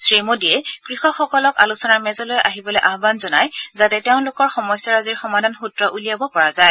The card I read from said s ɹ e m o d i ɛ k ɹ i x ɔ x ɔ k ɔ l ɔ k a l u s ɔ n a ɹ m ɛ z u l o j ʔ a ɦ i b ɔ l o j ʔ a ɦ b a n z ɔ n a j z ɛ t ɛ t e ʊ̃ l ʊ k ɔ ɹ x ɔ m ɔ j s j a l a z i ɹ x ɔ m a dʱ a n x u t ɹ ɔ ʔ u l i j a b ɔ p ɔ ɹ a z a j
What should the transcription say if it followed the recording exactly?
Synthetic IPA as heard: s ɹ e m o d i ɛ k ɹ i x ɔ x ɔ k ɔ l ɔ k a l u s ɔ n a ɹ m ɛ z ɔ l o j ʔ a ɦ i b ɔ l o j ʔ a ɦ b a n z ɔ n a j z a t ɛ t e ʊ̃ l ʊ k ɔ ɹ x ɔ m ɔ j s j a ɹ a z i ɹ x ɔ m a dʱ a n x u t ɹ ɔ ʔ u l i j a b ɔ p ɔ ɹ a z a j